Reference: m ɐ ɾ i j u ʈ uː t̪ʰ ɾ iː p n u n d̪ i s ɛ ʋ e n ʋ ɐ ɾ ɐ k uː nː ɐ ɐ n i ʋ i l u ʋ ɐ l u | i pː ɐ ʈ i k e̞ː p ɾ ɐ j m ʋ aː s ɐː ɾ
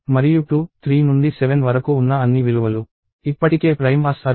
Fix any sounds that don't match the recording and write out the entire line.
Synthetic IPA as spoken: m ɐ ɾ i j u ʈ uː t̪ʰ ɾ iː n u n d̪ i s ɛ ʋ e n ʋ ɐ ɾ ɐ k uː nː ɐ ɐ nː i ʋ i l u ʋ ɐ l u | i pː ɐ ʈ i k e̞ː p ɾ ɐ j m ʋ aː s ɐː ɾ